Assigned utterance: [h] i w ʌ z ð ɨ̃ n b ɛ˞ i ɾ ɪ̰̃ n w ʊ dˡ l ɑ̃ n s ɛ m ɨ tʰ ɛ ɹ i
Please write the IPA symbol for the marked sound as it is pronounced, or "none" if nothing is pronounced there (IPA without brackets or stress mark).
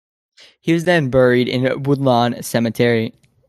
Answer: h